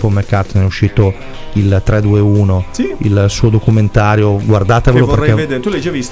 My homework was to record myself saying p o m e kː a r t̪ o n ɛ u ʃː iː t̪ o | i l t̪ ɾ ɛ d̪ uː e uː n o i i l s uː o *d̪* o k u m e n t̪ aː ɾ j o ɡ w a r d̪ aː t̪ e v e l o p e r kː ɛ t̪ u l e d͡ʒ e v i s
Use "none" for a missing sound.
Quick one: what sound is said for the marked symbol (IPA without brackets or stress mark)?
d̪